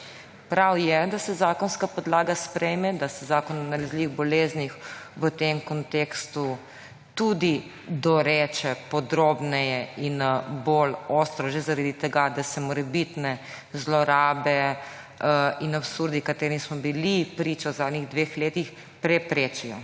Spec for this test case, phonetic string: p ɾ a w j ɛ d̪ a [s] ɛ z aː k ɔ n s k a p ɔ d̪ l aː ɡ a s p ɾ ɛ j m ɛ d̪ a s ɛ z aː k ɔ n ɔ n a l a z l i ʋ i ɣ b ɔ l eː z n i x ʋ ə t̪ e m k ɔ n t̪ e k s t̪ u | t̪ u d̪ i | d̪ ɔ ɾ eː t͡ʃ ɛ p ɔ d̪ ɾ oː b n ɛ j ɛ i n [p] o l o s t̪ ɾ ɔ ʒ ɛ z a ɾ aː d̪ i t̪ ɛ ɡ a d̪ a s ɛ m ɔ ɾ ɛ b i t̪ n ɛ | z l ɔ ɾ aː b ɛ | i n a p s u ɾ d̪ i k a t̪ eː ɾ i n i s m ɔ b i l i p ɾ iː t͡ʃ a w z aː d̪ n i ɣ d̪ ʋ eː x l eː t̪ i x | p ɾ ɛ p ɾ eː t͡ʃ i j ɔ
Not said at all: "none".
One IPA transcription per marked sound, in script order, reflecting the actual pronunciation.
s, b

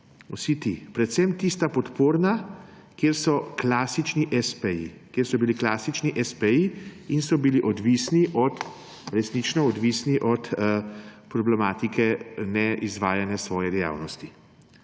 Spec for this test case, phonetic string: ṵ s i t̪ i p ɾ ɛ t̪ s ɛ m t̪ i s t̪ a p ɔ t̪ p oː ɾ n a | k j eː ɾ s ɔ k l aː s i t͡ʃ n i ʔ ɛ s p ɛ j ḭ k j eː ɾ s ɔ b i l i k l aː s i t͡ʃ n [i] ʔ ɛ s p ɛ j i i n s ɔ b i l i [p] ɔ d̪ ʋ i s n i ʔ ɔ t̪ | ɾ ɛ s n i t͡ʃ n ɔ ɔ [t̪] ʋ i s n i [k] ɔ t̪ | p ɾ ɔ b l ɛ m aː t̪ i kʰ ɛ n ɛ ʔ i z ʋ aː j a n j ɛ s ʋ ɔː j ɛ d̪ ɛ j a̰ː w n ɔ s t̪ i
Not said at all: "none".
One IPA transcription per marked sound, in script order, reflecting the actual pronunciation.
i, ʔ, d̪, ʔ

